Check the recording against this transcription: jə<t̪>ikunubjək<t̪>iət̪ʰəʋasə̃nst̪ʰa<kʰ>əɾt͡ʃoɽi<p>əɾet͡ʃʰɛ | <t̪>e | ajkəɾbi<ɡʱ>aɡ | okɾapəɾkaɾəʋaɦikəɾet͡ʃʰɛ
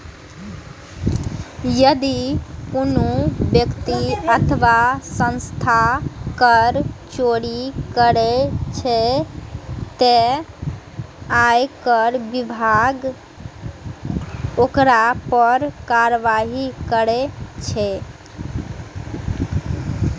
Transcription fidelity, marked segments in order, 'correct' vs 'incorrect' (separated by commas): incorrect, correct, incorrect, incorrect, correct, incorrect